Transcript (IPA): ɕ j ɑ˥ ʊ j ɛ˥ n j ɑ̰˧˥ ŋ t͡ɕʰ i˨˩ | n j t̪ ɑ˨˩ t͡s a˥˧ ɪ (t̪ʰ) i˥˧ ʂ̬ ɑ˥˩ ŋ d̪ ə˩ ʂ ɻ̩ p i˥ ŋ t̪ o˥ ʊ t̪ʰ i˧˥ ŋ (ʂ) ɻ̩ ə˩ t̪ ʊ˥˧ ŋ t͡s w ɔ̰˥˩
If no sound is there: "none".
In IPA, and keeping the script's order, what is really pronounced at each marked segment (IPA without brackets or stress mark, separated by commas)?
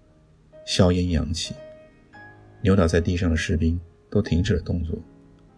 t̪, ʈ͡ʂ